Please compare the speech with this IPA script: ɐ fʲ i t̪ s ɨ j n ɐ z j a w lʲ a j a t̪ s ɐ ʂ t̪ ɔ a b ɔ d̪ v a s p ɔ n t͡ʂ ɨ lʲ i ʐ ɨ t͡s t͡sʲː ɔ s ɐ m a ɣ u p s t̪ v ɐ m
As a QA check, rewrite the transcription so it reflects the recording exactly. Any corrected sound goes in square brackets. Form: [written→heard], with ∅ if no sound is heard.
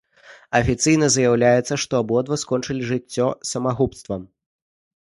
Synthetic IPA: ɐ fʲ i t̪ s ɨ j n ɐ z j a w lʲ a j [a→ɛ] t̪ s ɐ ʂ t̪ ɔ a b ɔ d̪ v [a→ɐ] s [p→k] ɔ n t͡ʂ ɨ lʲ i ʐ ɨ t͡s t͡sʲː ɔ s ɐ m a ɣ u p s t̪ v ɐ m